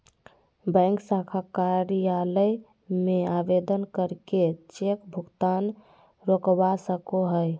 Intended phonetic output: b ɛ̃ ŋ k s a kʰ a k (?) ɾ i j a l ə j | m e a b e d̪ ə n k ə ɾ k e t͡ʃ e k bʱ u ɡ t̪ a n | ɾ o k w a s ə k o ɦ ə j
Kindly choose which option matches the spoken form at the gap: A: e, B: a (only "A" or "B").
B